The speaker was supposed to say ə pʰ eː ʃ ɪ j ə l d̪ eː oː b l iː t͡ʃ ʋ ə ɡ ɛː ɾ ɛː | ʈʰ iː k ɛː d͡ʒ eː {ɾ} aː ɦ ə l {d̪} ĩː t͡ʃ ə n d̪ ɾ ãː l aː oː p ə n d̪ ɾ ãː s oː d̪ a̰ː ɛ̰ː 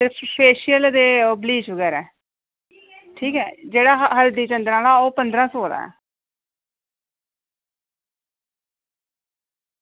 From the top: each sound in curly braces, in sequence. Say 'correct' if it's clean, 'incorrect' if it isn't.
incorrect: ɽ, correct

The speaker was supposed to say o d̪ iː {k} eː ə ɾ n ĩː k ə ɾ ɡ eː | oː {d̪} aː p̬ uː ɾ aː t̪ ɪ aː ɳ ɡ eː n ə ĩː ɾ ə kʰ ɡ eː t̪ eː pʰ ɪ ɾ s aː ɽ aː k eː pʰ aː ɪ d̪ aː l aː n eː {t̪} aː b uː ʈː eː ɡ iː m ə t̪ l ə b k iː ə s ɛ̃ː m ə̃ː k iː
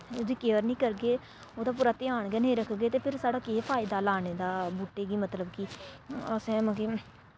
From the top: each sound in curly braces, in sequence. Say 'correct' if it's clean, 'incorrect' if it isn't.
correct, correct, incorrect: d̪

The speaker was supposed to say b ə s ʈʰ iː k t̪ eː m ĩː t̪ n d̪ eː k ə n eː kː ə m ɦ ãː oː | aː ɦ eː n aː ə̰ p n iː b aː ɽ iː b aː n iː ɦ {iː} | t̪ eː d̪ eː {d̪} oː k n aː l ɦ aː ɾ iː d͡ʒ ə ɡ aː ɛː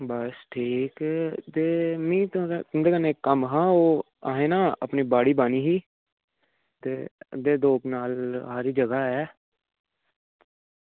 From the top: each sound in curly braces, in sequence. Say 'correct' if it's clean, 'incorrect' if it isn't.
correct, correct

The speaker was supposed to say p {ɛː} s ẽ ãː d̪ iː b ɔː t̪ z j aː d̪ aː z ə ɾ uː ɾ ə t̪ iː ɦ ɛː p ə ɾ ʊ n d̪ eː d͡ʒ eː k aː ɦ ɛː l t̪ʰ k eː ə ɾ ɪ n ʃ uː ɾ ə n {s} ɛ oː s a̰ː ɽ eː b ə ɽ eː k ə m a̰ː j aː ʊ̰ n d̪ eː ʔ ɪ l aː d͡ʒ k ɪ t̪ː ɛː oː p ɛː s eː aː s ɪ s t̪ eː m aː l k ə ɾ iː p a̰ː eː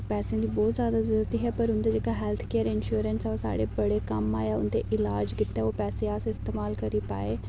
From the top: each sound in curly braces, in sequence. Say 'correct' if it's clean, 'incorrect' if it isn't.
correct, correct

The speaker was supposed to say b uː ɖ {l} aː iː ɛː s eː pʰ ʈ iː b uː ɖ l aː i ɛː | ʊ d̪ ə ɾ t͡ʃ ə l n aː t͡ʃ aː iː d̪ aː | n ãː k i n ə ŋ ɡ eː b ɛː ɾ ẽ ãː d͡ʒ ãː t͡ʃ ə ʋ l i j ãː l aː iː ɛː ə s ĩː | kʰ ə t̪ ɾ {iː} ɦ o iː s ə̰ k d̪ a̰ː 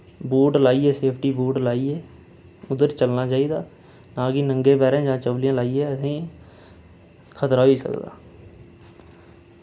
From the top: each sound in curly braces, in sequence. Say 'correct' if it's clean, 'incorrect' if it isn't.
correct, incorrect: aː

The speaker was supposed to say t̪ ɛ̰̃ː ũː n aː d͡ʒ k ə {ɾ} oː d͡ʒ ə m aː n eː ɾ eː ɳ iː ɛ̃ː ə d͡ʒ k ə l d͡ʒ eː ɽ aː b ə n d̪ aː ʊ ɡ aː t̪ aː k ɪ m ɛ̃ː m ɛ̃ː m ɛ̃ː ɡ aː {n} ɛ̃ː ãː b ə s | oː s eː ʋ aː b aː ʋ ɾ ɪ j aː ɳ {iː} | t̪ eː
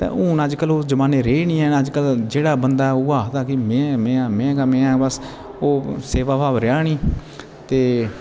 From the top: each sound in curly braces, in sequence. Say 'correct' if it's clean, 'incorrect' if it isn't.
incorrect: l, incorrect: m, correct

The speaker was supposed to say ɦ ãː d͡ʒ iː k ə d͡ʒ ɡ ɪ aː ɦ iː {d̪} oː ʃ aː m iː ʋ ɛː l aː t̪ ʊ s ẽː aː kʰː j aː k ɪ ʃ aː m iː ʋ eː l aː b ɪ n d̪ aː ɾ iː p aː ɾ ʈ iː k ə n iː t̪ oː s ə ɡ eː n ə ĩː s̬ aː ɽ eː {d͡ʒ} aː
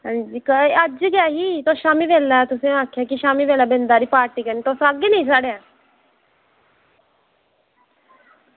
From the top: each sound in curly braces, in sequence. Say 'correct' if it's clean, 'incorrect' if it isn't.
incorrect: t̪, incorrect: none

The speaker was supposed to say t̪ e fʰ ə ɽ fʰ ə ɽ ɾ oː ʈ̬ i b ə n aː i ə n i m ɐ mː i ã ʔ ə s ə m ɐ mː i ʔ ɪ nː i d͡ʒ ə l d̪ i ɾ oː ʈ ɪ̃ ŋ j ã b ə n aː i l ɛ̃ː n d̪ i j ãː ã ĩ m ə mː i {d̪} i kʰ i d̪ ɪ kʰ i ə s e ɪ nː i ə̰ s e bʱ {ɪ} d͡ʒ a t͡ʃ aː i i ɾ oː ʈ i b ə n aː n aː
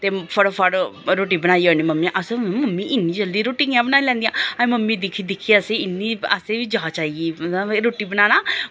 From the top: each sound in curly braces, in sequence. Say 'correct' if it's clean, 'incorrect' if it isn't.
correct, incorrect: i

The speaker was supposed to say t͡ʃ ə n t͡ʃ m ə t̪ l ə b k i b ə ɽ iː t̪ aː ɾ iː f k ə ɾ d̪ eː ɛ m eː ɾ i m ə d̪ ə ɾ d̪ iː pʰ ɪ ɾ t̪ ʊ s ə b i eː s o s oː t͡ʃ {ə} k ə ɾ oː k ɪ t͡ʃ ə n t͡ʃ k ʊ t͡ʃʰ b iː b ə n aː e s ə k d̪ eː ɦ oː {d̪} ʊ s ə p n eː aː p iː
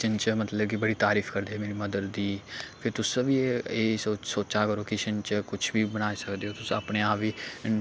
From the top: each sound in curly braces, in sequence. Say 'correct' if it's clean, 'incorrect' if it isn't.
incorrect: a, incorrect: t̪

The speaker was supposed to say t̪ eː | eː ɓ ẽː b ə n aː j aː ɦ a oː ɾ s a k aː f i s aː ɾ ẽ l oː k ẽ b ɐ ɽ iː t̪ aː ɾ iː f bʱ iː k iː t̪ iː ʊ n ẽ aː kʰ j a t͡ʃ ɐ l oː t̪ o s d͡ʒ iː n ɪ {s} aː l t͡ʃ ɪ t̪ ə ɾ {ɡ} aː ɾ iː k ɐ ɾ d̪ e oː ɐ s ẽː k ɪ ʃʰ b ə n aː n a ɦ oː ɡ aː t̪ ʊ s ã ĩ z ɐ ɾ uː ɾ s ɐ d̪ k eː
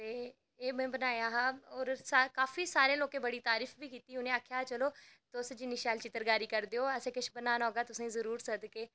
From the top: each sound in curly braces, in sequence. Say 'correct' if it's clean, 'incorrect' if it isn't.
incorrect: ʃ, correct

